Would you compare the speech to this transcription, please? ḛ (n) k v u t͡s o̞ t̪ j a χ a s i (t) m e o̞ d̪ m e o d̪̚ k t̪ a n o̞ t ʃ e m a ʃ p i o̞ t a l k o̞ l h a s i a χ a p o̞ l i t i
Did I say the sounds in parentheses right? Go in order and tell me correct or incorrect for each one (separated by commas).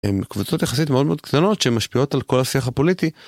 incorrect, correct